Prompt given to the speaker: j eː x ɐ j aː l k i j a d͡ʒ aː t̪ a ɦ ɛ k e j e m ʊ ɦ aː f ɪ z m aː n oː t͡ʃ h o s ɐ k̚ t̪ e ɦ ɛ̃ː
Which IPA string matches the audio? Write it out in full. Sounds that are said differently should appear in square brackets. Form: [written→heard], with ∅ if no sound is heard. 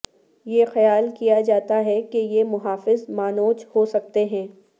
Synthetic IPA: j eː x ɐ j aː l k i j a d͡ʒ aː t̪ a ɦ ɛ k e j e m ʊ ɦ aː f ɪ z m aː n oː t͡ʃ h o s ɐ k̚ t̪ e ɦ ɛ̃ː